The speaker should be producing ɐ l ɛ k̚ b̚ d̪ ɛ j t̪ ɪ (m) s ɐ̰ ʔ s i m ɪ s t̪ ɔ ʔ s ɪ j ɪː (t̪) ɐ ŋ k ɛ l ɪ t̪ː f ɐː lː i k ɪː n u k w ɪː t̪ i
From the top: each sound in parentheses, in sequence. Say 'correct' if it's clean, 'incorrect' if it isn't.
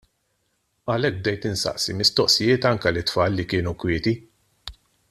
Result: incorrect, correct

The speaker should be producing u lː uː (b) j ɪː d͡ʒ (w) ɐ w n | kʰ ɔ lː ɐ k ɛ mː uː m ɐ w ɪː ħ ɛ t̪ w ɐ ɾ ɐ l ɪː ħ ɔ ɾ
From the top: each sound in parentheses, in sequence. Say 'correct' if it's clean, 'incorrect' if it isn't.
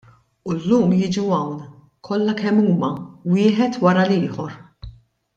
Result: incorrect, incorrect

